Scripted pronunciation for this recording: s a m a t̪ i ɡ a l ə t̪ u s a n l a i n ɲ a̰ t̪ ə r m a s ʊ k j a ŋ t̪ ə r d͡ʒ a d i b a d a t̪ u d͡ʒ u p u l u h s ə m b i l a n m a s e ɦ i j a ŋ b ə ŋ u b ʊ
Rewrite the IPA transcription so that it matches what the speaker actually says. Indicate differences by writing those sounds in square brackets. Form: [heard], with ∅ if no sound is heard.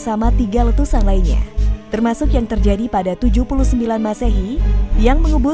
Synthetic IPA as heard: s a m a t̪ i ɡ a l ə t̪ u s a n l a i n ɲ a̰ t̪ ə r m a s ʊ k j a ŋ t̪ ə r d͡ʒ a d i [p] a d a t̪ u d͡ʒ u p u l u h s ə m b i l a n m a s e ɦ i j a ŋ [m] ə ŋ u b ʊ